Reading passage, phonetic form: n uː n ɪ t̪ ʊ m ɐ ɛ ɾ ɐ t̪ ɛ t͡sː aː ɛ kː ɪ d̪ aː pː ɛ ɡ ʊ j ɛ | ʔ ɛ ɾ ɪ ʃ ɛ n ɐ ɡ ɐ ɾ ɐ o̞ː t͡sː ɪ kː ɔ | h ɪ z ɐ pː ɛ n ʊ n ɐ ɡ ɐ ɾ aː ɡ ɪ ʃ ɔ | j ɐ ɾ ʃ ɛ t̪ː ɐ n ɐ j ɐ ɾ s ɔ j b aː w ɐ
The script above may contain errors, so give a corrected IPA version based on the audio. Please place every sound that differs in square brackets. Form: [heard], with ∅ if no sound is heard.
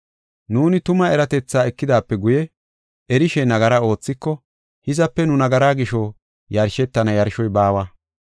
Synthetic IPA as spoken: n uː n ɪ t̪ ʊ m ɐ ɛ ɾ ɐ t̪ ɛ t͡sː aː ɛ kː ɪ d̪ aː pː ɛ ɡ ʊ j ɛ | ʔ ɛ ɾ ɪ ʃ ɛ n ɐ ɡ ɐ ɾ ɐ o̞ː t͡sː ɪ kː ɔ | h ɪ z ɐ pː ɛ n ʊ n ɐ ɡ ɐ ɾ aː ɡ ɪ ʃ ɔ | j ɐ ɾ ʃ ɛ t̪ː ɐ n ɐ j ɐ ɾ [ʃ] ɔ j b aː w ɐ